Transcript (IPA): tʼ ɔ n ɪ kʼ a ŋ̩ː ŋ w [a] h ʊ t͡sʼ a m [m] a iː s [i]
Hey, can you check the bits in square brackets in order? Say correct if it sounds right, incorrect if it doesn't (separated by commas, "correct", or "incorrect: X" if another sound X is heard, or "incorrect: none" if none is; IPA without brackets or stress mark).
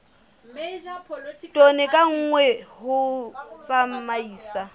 incorrect: ɛ, correct, incorrect: a